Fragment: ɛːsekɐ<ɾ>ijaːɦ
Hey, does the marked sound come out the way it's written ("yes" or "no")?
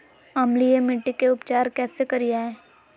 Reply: yes